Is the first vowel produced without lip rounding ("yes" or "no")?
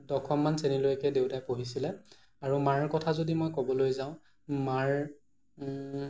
no